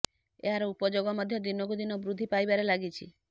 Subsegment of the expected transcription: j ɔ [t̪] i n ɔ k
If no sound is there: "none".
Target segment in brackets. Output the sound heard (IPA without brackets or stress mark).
d̪